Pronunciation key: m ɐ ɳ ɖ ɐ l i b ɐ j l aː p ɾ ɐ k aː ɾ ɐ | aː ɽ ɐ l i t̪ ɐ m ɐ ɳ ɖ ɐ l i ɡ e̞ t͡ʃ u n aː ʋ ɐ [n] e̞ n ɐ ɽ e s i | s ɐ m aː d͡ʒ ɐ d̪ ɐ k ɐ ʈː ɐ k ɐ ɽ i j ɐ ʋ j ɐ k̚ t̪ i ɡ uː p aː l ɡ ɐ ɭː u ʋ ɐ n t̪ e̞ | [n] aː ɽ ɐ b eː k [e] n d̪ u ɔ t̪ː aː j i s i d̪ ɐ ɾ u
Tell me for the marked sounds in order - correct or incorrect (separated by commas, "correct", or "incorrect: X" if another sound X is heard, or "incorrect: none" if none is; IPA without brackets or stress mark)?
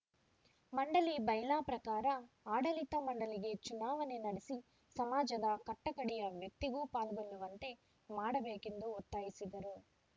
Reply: correct, incorrect: m, correct